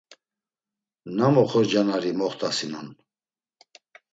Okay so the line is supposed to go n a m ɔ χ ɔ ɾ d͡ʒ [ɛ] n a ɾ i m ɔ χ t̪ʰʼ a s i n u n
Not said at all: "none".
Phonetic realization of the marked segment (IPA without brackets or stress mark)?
a